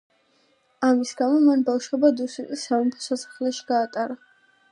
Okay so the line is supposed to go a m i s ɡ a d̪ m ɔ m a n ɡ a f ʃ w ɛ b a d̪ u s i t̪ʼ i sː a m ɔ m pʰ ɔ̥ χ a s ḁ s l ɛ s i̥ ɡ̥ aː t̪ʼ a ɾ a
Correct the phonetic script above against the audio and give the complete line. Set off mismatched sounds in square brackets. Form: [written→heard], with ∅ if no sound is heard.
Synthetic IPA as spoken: a m i s ɡ a [d̪→∅] m ɔ m a n [ɡ→b] a f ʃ w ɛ b a d̪ u s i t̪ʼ i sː a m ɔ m pʰ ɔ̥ [χ→s] a s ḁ [s→χ] l ɛ [s→ʃ] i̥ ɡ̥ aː t̪ʼ a ɾ a

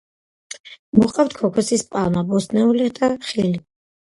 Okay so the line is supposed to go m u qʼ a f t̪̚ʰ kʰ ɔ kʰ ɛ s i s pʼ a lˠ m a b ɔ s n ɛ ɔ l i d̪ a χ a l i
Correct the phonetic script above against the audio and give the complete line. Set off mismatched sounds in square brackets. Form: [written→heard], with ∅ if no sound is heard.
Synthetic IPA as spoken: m u qʼ a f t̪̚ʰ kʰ ɔ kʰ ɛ s i s pʼ a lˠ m a b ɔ s n ɛ [ɔ→u] l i d̪ a χ [a→i] l i

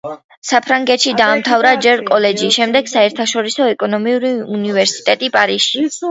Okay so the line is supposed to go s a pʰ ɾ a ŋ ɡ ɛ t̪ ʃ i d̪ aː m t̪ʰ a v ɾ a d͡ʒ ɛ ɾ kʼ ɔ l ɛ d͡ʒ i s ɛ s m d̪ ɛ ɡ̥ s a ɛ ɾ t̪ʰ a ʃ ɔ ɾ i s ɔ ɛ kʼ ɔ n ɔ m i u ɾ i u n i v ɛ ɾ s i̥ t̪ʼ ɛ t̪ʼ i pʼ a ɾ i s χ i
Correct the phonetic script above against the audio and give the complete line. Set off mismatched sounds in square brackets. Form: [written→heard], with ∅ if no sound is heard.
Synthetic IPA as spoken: s a pʰ ɾ a ŋ ɡ ɛ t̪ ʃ i d̪ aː m t̪ʰ a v ɾ a d͡ʒ ɛ ɾ kʼ ɔ l ɛ d͡ʒ i [s→ʃ] ɛ [s→∅] m d̪ ɛ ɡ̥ s a ɛ ɾ t̪ʰ a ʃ ɔ ɾ i s ɔ ɛ kʼ ɔ n ɔ m i u ɾ i u n i v ɛ ɾ s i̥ t̪ʼ ɛ t̪ʼ i pʼ a ɾ i s [χ→ʃ] i

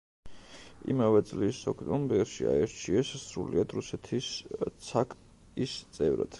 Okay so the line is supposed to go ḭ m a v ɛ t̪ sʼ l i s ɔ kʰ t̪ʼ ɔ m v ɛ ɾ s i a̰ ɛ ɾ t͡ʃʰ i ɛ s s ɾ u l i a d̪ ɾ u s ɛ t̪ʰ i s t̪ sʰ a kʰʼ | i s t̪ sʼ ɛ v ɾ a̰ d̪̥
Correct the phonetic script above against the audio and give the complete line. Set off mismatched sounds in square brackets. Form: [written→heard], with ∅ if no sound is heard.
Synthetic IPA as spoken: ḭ m a v ɛ t̪ sʼ l i s ɔ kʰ t̪ʼ ɔ m [v→b] ɛ ɾ [s→ʃ] i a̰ ɛ ɾ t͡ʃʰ i ɛ s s ɾ u l i a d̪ ɾ u s ɛ t̪ʰ i s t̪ sʰ a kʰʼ | i s t̪ sʼ ɛ v ɾ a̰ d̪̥

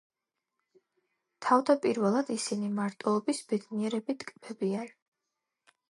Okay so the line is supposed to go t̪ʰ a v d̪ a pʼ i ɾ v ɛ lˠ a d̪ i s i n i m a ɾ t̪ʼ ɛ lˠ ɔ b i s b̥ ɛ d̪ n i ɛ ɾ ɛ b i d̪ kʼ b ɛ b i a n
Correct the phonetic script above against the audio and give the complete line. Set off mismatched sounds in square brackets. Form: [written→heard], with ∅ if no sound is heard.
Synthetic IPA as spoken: t̪ʰ a v d̪ a pʼ i ɾ v ɛ lˠ a d̪ i s i n i m a ɾ t̪ʼ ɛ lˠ ɔ b i s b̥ ɛ d̪ n i ɛ ɾ ɛ b i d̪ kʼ b ɛ b i a n

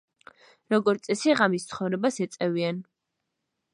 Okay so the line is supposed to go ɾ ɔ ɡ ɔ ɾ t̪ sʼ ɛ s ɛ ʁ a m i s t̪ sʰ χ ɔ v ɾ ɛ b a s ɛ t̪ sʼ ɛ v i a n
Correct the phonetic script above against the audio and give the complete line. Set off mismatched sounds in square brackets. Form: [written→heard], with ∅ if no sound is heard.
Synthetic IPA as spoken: ɾ ɔ ɡ ɔ ɾ t̪ sʼ ɛ s [ɛ→i] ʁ a m i s t̪ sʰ χ ɔ v ɾ ɛ b a s ɛ t̪ sʼ ɛ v i a n

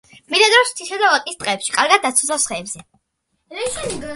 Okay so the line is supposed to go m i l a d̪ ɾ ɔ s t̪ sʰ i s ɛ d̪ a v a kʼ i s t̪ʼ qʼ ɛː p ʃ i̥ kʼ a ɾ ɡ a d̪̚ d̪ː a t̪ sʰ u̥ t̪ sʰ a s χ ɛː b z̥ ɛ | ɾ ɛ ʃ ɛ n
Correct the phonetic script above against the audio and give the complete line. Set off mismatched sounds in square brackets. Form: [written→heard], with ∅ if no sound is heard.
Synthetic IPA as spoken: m i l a d̪ ɾ ɔ s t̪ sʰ i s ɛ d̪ a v a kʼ i s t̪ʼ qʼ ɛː p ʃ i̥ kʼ a ɾ ɡ a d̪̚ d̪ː a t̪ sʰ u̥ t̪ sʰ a s χ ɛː b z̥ ɛ | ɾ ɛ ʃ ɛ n

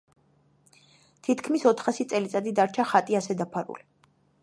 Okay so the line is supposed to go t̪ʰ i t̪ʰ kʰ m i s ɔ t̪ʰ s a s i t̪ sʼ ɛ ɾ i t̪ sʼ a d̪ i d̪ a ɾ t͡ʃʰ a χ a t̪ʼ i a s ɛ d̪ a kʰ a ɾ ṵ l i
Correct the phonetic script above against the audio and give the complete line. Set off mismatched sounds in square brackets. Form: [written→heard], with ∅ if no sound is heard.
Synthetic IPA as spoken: t̪ʰ i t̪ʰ kʰ m i s ɔ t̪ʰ [s→χ] a s i t̪ sʼ ɛ [ɾ→l] i t̪ sʼ a d̪ i d̪ a ɾ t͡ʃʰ a χ a t̪ʼ i a s ɛ d̪ a [kʰ→pʰ] a ɾ ṵ l i

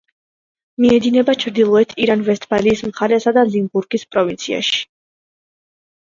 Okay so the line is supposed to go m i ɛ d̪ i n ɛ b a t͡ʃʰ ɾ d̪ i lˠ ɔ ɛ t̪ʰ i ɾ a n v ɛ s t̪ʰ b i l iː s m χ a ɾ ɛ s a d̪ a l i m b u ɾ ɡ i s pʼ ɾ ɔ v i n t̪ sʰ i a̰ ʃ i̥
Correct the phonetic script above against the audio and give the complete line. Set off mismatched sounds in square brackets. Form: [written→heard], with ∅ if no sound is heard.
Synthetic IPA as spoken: m i ɛ d̪ i n ɛ b a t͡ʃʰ ɾ d̪ i lˠ ɔ ɛ t̪ʰ i ɾ a n v ɛ s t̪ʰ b [i→a] l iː s m χ a ɾ ɛ s a d̪ a l i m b u ɾ ɡ i s pʼ ɾ ɔ v i n t̪ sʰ i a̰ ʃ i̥

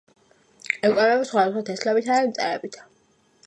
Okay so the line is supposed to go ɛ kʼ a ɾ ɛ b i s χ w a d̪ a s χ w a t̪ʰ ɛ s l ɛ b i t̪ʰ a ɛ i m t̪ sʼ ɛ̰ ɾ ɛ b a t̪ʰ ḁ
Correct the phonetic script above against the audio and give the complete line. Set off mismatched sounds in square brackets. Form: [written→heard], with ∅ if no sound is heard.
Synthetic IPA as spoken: ɛ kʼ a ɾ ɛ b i s χ w a d̪ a s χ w a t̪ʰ ɛ s l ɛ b i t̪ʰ a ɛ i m t̪ sʼ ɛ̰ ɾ ɛ b [a→i] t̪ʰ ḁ

